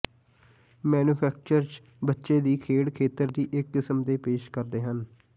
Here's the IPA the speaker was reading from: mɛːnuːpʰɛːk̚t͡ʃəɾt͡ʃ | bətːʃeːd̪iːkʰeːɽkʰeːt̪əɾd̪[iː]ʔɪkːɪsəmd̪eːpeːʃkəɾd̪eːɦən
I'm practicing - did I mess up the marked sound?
no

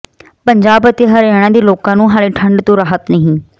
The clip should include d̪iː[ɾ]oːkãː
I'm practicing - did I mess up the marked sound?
yes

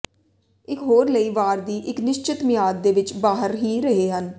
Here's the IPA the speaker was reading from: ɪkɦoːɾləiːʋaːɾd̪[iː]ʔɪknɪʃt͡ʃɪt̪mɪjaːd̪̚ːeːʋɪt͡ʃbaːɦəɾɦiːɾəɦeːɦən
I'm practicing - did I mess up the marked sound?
no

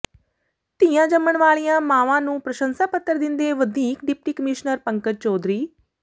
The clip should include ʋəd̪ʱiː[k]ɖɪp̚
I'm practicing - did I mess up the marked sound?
no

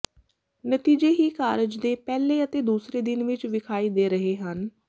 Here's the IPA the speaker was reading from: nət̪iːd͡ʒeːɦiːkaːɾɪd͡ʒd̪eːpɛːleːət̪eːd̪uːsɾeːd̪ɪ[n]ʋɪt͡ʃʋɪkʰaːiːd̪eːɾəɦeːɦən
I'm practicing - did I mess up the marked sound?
no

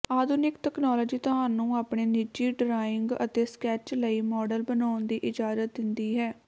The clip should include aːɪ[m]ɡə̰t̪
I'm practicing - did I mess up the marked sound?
yes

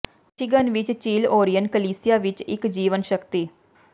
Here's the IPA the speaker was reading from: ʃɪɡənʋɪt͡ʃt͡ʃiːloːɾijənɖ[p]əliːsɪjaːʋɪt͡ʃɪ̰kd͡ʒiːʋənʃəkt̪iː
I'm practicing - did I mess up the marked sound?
yes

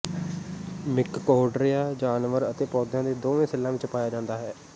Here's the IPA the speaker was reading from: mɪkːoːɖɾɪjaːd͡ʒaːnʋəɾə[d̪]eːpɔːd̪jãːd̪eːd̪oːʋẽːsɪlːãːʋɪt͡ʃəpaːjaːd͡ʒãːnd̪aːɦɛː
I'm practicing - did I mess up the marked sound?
yes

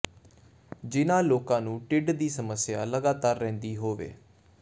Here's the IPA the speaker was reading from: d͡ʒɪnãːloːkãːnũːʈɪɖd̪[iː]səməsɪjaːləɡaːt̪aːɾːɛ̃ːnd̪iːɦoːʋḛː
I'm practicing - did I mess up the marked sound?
no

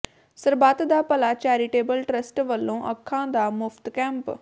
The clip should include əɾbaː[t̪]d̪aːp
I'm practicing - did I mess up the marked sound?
no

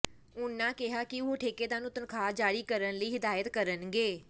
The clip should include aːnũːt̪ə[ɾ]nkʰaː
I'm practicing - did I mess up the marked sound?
yes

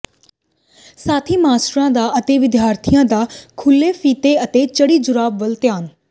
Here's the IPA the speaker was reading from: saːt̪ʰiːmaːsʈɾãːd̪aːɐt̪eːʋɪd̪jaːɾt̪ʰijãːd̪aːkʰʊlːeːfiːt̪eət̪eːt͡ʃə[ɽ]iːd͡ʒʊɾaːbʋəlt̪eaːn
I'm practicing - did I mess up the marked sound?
no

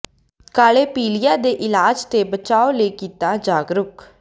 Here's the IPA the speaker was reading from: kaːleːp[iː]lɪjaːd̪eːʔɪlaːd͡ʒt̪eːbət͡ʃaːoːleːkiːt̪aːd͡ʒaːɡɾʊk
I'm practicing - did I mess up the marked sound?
no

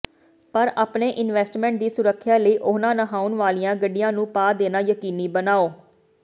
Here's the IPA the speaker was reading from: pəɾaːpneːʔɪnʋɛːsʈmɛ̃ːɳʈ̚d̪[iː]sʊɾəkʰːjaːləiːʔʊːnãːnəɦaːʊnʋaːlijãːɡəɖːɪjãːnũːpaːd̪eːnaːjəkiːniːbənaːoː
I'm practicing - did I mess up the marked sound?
no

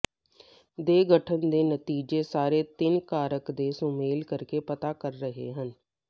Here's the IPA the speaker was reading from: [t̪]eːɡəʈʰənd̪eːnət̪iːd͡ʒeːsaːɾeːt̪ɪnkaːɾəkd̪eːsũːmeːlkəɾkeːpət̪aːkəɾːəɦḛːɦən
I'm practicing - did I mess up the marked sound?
yes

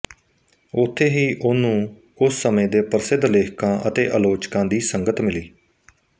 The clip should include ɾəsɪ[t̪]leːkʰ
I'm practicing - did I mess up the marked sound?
yes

